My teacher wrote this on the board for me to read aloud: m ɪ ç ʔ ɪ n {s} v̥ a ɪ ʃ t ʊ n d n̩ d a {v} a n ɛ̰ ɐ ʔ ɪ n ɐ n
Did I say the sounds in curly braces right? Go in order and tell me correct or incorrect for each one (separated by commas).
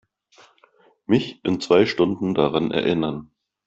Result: incorrect, incorrect